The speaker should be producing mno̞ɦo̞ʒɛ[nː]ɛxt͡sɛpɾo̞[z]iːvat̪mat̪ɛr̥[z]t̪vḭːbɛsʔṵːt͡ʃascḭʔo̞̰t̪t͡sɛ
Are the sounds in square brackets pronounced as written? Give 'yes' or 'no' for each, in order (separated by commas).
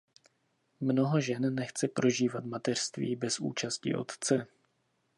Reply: yes, no, no